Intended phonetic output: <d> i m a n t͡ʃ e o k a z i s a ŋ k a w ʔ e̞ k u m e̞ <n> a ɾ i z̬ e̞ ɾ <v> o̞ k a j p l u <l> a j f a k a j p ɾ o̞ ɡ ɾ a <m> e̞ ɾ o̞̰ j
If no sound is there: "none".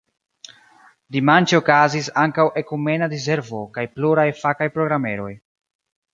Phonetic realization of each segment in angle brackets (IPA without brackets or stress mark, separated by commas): d, n, v, ɾ, m